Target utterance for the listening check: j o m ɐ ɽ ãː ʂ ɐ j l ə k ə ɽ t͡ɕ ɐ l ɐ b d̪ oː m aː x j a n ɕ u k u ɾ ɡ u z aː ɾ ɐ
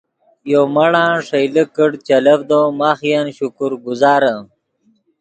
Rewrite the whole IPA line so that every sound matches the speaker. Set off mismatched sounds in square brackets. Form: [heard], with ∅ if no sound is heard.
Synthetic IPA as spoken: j o m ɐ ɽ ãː ʂ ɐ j l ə k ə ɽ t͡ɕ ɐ l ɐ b d̪ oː m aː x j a n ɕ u k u ɾ ɡ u z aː ɾ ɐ